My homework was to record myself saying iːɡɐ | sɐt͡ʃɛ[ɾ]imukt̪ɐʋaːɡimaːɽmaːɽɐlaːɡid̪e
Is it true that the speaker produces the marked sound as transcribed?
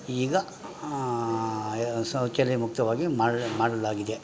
no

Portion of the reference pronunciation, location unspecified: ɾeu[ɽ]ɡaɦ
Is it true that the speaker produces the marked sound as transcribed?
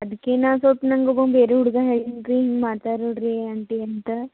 yes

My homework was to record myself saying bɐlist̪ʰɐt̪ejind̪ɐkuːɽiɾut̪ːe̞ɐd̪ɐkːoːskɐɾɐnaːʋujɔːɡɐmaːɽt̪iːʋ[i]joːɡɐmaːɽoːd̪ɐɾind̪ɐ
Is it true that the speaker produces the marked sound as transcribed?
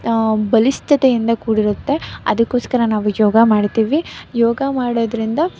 yes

